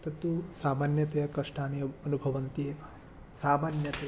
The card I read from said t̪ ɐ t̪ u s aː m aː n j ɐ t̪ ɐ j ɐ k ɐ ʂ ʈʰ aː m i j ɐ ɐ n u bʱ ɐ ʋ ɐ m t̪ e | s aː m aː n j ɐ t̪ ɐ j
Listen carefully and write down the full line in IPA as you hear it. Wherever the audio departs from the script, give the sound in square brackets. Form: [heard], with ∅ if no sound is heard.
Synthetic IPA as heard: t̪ ɐ t̪ u s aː m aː n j ɐ t̪ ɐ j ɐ k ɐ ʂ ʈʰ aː [n] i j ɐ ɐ n u bʱ ɐ ʋ ɐ [n] t̪ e | s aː m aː n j ɐ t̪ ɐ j